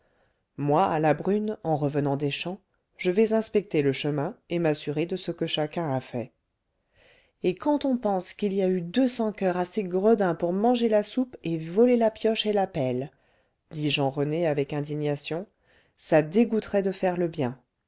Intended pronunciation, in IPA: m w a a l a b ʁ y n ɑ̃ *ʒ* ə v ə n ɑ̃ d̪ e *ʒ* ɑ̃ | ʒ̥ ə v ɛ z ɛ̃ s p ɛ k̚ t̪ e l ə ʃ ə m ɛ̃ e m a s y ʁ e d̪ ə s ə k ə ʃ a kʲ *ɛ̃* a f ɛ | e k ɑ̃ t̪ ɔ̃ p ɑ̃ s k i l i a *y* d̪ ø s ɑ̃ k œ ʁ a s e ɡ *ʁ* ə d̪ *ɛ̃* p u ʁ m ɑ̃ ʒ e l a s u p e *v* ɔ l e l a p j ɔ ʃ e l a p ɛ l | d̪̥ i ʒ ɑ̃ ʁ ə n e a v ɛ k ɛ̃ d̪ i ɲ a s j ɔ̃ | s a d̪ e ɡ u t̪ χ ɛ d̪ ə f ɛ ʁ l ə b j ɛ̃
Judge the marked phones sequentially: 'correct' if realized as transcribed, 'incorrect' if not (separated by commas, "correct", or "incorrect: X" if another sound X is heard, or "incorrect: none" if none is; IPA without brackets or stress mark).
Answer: incorrect: ʁ, incorrect: ʃ, correct, correct, correct, correct, correct